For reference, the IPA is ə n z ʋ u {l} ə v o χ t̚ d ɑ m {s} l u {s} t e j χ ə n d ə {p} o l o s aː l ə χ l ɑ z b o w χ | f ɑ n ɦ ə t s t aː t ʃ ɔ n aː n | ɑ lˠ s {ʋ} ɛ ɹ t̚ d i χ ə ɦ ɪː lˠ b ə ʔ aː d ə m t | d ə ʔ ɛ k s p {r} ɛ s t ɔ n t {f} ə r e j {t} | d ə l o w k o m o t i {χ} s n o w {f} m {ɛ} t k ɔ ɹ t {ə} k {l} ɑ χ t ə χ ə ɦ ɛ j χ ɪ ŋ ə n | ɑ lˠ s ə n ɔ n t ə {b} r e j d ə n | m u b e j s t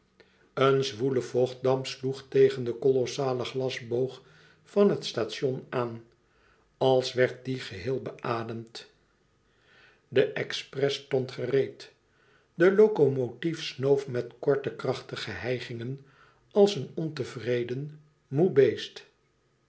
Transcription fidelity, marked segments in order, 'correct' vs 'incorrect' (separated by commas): correct, correct, incorrect, incorrect, correct, correct, incorrect, correct, incorrect, correct, correct, correct, incorrect, incorrect